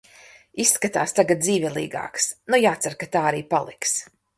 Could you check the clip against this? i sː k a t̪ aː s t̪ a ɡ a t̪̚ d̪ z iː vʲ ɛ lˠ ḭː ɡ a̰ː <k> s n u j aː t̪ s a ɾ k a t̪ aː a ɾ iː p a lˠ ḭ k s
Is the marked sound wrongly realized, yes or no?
no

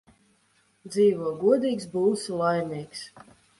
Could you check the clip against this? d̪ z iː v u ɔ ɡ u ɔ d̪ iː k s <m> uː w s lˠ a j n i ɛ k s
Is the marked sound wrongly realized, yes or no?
yes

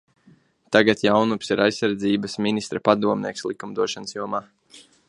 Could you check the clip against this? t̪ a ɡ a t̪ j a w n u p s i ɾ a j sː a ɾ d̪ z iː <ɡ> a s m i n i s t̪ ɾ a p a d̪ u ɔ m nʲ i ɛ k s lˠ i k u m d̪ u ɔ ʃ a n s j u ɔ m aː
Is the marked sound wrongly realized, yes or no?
yes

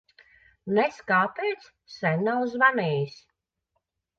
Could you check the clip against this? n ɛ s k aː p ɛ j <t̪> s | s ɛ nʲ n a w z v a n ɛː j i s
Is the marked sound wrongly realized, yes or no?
no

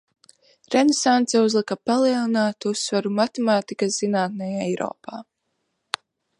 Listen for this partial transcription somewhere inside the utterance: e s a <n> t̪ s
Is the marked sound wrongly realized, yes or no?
no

